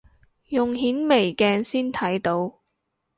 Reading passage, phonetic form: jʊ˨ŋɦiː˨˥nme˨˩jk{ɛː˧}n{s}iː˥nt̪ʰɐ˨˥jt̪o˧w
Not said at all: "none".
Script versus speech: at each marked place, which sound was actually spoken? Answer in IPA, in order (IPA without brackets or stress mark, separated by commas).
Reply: ɛː˧, s